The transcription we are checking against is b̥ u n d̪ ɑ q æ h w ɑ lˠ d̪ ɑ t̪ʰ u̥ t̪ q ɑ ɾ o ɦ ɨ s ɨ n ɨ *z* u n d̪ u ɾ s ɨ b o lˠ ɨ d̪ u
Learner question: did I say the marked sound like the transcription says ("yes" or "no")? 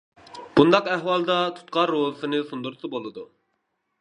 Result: no